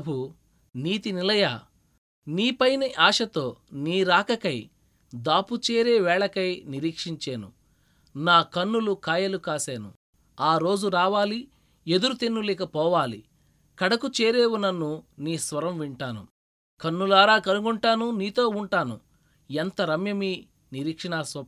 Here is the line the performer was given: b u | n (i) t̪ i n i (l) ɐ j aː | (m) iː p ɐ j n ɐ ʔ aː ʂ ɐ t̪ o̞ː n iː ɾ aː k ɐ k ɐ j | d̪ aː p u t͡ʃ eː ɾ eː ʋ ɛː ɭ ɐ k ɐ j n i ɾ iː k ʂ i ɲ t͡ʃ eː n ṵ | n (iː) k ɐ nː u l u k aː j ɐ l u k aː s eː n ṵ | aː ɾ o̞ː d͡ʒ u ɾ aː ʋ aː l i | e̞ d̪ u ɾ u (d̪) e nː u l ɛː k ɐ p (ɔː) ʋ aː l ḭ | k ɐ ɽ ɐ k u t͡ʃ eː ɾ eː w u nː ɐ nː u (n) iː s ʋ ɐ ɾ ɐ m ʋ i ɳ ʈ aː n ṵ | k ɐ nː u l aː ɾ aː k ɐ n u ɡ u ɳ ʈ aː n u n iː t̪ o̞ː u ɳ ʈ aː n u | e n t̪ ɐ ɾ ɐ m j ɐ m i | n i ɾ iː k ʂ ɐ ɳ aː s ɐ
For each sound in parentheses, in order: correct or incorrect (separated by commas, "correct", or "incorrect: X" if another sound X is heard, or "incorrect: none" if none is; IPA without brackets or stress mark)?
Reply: incorrect: iː, correct, incorrect: n, incorrect: aː, incorrect: t̪, correct, correct